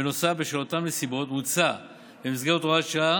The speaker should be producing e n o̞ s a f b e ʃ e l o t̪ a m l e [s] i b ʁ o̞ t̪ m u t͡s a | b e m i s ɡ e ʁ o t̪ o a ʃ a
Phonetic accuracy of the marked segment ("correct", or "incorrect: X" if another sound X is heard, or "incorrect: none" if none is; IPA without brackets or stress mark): correct